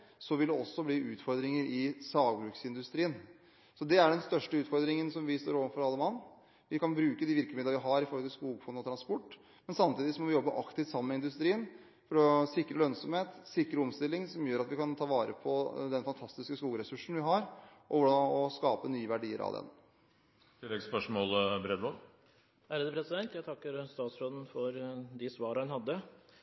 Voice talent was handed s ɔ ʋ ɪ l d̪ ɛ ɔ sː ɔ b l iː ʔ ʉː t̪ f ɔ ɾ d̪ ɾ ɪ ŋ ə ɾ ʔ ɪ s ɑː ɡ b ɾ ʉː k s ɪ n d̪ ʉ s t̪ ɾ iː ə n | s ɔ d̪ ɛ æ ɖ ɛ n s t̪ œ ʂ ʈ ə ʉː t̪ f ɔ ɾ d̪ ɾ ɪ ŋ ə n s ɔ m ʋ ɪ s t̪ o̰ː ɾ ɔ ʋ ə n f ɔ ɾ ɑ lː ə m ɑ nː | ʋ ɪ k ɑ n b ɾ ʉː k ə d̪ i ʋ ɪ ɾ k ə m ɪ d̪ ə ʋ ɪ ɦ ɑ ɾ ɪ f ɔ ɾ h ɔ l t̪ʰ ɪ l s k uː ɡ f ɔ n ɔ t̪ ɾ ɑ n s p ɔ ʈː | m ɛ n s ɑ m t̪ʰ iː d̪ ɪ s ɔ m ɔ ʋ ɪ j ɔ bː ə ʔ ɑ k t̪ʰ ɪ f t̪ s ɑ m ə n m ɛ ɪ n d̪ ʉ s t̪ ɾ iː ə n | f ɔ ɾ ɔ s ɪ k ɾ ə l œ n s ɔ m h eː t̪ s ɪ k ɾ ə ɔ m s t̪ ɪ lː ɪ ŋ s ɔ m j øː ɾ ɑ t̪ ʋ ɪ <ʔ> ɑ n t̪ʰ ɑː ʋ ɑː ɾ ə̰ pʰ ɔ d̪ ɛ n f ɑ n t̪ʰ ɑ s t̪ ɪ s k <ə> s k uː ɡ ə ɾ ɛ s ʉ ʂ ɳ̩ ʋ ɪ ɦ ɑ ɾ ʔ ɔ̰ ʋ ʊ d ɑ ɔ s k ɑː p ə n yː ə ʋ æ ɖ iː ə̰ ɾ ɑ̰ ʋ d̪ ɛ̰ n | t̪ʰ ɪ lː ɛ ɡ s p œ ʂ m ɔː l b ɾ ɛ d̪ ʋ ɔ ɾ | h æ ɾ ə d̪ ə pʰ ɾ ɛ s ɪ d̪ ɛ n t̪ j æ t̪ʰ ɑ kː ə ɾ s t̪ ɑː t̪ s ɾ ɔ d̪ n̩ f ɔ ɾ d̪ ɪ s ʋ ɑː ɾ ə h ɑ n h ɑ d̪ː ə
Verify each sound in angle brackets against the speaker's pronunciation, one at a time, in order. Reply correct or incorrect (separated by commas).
incorrect, correct